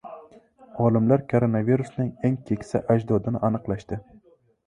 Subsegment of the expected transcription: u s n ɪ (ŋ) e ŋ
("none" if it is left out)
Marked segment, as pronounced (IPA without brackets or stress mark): ŋ